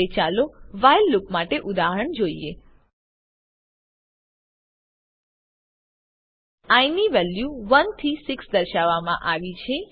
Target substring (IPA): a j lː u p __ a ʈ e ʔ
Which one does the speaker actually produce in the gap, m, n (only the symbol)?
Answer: m